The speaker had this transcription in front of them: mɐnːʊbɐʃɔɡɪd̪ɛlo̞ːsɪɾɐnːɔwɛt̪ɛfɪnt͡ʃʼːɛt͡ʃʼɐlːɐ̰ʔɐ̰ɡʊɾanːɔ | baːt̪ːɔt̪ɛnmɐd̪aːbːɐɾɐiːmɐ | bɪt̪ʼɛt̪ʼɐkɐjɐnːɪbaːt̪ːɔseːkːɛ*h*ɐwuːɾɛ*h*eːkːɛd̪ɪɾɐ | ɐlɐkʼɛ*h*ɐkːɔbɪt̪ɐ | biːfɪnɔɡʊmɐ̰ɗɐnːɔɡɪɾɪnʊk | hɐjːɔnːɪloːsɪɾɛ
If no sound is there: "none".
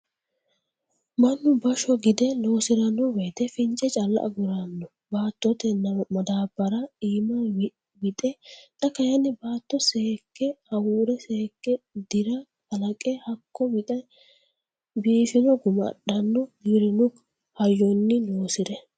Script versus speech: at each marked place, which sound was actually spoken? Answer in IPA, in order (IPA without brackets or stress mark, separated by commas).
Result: h, s, h